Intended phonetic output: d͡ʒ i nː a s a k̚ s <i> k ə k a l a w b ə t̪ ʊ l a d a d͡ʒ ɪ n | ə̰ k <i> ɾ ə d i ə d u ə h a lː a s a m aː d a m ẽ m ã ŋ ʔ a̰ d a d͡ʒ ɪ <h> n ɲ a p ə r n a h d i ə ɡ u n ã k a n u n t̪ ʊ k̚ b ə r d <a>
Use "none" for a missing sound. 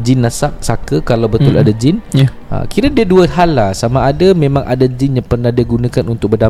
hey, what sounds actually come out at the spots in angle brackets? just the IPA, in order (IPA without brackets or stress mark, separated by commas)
a, i, none, a